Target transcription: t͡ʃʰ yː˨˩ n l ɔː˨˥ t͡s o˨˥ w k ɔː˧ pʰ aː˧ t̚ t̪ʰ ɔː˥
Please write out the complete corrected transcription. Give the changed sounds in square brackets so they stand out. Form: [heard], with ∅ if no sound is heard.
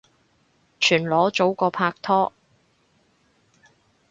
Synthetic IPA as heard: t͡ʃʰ yː˨˩ n l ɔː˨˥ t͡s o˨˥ w k ɔː˧ pʰ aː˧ [k̚] t̪ʰ ɔː˥